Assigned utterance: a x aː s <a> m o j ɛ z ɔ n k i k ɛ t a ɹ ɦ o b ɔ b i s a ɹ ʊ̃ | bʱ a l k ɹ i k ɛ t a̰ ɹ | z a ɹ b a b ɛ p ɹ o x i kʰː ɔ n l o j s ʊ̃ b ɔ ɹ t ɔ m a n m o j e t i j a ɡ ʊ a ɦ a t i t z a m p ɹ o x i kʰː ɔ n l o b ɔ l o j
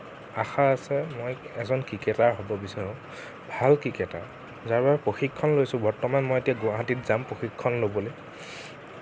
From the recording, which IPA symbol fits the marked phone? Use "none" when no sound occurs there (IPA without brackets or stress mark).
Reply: ɛ